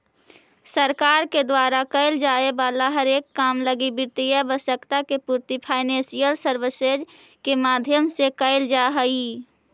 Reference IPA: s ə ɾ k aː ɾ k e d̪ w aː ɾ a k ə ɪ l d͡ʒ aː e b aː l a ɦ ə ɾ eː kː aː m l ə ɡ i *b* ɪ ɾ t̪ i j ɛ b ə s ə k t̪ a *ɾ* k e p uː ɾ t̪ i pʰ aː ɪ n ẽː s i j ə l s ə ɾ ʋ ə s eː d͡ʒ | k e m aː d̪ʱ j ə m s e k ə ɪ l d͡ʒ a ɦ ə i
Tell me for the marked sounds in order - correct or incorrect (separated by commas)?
correct, incorrect